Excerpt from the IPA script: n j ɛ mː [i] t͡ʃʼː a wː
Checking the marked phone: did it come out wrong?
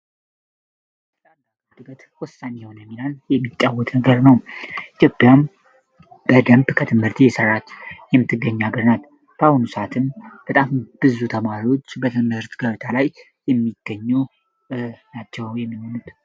no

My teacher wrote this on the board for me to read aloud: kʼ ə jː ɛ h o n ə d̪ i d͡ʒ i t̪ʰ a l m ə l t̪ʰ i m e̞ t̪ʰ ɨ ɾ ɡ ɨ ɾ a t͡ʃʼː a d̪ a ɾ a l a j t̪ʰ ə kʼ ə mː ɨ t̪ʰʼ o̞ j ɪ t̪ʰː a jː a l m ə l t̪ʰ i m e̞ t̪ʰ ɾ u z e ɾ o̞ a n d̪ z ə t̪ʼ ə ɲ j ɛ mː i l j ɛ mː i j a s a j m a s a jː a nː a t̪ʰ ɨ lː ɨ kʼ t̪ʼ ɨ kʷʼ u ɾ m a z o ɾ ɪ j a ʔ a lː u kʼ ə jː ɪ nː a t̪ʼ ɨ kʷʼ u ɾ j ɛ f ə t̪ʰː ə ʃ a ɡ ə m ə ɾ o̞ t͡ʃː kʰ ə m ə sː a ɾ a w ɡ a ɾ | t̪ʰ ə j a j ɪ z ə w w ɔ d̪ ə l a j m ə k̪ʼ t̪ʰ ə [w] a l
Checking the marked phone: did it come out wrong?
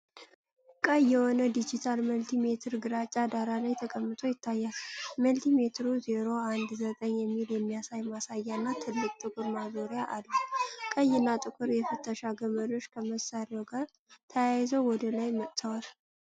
no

